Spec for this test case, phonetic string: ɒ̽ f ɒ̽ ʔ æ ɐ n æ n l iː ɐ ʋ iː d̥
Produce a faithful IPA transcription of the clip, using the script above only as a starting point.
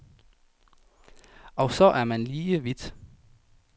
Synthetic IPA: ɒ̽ s ɒ̽ ʔ æ ɐ m æ n l iː ə ʋ i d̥